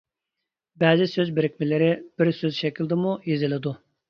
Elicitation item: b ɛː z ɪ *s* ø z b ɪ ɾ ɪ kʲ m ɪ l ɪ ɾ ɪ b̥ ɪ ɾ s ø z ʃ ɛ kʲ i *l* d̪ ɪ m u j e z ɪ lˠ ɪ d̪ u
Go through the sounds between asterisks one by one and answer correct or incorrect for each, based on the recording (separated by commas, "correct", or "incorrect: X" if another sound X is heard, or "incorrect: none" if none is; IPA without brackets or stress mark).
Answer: correct, correct